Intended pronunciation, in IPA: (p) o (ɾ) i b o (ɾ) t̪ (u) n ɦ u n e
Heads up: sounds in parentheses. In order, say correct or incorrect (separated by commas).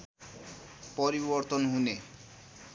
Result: correct, correct, correct, incorrect